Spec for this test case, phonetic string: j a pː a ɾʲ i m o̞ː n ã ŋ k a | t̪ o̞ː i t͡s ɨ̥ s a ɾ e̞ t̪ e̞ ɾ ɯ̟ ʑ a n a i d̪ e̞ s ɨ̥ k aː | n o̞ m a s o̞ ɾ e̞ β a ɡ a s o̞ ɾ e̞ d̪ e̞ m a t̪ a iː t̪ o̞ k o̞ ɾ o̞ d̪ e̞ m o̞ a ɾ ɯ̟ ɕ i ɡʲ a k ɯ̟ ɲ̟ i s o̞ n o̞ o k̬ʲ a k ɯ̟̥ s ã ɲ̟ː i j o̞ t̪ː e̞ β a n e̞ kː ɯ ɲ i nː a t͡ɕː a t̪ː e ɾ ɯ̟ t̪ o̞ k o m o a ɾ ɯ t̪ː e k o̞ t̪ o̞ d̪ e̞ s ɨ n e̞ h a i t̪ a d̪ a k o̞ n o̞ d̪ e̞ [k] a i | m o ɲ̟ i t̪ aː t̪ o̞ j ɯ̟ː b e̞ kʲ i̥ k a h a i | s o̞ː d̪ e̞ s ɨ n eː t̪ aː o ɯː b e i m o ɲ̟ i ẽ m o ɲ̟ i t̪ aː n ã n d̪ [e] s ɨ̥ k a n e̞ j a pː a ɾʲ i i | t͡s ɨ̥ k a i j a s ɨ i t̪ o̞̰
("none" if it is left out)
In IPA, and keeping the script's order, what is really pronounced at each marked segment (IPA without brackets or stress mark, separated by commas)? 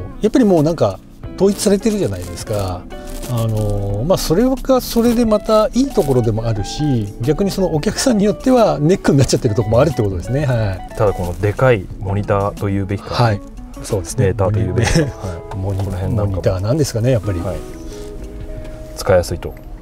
k, e